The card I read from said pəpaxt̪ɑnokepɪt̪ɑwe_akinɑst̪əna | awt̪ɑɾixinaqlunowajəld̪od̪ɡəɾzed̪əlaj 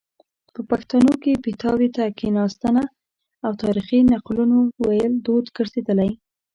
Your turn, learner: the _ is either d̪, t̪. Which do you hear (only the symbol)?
t̪